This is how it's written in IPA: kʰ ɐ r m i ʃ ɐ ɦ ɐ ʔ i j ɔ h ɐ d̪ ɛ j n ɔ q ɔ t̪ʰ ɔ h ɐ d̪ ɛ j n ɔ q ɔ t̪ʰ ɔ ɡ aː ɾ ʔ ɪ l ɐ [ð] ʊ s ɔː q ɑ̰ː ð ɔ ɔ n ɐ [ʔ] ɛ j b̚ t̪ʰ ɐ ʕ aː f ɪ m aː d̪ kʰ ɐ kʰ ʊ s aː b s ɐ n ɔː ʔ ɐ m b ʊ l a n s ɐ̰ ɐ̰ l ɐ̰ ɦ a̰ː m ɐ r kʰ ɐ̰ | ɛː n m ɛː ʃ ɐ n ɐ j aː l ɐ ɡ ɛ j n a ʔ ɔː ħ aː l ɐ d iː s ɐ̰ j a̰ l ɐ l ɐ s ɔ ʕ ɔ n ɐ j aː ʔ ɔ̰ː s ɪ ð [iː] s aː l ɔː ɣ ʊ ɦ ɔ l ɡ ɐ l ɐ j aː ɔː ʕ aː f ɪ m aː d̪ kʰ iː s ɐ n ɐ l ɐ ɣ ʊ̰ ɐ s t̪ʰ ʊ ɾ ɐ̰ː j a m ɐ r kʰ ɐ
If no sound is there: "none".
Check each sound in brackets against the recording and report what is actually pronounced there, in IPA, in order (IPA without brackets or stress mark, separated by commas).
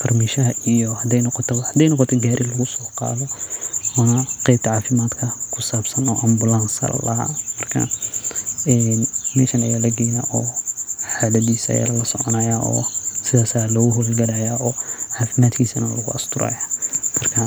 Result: ɣ, q, aː